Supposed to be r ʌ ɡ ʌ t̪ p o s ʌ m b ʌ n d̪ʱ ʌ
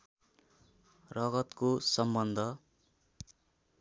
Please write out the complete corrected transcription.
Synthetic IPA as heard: r ʌ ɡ ʌ t̪ k o s ʌ m b ʌ n d̪ʱ ʌ